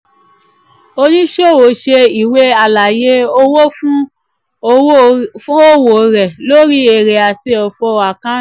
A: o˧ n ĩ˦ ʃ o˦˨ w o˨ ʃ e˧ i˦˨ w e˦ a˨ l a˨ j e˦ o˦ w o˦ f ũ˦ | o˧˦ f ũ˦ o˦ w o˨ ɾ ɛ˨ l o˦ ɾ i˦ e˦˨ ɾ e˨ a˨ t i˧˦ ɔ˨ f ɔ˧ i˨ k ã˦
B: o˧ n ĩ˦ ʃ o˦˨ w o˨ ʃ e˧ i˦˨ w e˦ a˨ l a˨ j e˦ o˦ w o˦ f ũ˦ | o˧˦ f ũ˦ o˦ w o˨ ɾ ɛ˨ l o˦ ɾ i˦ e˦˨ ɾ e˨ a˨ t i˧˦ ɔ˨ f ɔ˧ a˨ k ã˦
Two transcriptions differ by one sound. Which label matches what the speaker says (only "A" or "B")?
B